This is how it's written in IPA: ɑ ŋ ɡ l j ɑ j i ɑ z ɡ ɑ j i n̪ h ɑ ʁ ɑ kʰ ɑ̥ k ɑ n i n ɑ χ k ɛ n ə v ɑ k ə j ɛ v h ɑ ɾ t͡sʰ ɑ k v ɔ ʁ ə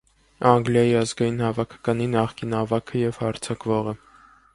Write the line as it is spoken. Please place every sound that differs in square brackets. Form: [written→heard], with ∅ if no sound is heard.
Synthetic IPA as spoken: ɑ ŋ ɡ l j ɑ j i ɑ z ɡ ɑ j i n̪ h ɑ [ʁ→v] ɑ kʰ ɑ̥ k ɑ n i n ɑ χ k [ɛ→i] n [ə→ɑ] v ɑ [k→kʰ] ə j ɛ v h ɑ ɾ t͡sʰ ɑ k v ɔ ʁ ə